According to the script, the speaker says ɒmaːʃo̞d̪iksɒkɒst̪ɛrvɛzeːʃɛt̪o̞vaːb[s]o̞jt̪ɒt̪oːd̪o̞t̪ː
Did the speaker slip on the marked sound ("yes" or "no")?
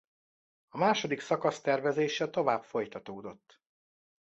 yes